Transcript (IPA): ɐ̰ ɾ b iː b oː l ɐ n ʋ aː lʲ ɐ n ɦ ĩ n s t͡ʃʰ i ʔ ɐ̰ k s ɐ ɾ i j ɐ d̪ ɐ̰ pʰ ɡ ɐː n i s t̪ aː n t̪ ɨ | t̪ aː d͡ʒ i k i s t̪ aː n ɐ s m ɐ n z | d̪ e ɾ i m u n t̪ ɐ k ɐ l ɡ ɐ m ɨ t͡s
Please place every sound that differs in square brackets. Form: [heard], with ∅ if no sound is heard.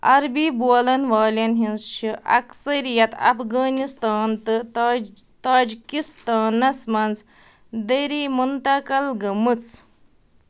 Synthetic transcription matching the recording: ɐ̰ ɾ b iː b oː l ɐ n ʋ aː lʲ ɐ n ɦ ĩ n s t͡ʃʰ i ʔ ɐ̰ k s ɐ ɾ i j ɐ [t̪] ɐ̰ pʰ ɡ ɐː n i s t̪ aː n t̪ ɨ | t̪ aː d͡ʒ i k i s t̪ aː n ɐ s m ɐ n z | d̪ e ɾ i m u n t̪ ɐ k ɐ l ɡ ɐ m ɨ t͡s